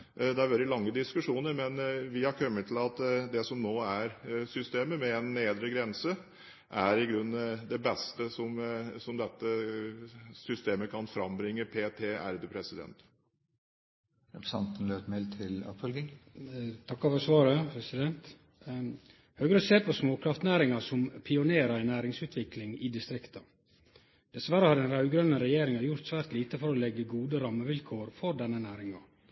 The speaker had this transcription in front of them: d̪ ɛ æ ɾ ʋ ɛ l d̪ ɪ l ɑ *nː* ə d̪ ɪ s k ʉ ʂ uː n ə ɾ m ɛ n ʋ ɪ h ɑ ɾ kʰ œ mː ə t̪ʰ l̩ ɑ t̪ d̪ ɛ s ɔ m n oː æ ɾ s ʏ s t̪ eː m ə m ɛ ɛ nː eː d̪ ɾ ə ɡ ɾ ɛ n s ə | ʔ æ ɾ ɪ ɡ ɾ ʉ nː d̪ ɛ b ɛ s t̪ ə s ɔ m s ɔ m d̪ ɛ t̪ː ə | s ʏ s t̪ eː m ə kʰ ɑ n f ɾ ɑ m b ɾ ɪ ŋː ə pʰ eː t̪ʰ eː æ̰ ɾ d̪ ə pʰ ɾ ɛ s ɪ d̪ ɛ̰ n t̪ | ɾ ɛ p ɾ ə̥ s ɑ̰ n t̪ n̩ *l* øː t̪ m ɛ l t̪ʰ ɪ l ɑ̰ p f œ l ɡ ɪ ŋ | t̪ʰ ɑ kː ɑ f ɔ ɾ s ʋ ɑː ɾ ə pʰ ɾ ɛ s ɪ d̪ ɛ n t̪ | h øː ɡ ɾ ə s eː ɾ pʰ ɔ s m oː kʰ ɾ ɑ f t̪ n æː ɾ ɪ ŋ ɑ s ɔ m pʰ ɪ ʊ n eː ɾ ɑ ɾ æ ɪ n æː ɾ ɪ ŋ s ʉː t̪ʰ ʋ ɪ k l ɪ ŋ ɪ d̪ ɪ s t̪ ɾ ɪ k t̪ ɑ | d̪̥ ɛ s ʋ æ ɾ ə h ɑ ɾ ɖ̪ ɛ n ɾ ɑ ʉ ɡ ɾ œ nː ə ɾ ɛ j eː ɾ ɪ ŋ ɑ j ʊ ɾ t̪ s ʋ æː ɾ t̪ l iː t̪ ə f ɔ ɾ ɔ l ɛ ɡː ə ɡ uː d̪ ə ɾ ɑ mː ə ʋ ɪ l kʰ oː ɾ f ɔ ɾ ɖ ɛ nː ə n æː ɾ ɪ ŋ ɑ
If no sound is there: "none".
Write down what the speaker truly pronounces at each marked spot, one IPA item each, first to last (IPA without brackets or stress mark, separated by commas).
ŋː, l